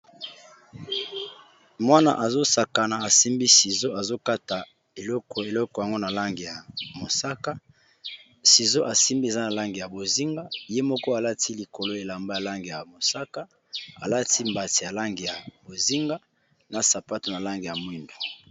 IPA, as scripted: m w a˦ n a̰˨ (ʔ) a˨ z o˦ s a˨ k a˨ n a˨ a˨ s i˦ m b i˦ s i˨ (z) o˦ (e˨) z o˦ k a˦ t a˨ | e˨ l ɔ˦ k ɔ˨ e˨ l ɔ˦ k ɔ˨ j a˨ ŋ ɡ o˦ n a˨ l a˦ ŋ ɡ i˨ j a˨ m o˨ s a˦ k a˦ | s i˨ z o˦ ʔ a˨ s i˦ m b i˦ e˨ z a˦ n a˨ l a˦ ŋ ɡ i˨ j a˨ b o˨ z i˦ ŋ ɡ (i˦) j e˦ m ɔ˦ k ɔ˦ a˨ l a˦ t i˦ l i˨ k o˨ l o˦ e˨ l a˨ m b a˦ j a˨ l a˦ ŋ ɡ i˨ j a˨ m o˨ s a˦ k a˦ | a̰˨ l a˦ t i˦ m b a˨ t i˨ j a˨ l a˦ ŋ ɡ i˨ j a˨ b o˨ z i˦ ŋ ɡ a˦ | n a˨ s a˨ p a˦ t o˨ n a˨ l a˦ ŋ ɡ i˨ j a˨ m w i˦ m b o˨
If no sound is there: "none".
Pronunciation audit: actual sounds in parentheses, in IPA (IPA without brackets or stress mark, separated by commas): ʔ, z, a˨, a˦